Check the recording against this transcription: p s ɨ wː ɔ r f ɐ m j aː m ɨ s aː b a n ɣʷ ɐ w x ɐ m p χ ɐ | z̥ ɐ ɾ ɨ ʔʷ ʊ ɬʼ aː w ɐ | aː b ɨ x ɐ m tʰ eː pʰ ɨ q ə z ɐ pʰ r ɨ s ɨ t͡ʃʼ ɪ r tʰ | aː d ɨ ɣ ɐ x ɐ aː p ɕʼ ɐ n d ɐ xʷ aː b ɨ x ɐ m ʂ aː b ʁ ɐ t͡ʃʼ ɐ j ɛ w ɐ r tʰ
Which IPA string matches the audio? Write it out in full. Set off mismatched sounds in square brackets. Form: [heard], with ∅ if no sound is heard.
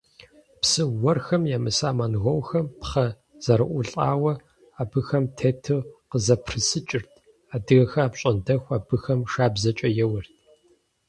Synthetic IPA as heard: p s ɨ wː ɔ r [x] ɐ m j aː m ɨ s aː [m] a n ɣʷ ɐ w x ɐ m p χ ɐ | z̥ ɐ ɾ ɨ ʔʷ ʊ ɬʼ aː w ɐ | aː b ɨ x ɐ m tʰ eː [tʰ] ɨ q ə z ɐ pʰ r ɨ s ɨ t͡ʃʼ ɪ r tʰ | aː d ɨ ɣ ɐ x ɐ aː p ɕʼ ɐ n d ɐ xʷ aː b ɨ x ɐ m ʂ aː b [z] ɐ t͡ʃʼ ɐ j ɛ w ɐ r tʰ